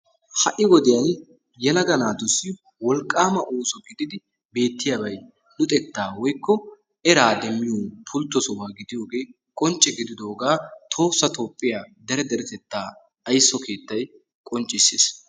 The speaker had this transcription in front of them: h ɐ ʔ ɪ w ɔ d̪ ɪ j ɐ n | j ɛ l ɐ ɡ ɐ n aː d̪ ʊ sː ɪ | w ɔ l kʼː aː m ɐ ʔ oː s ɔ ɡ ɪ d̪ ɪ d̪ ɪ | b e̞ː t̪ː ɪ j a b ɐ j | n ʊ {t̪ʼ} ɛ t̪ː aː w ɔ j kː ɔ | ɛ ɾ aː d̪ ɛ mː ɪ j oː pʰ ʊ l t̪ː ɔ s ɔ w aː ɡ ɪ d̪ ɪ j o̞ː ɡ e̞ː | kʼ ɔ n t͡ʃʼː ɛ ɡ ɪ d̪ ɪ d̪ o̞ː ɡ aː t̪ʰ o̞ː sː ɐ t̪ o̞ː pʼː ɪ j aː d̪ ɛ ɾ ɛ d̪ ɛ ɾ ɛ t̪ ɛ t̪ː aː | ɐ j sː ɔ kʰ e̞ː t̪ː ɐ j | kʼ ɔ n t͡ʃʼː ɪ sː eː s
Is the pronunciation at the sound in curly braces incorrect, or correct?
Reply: correct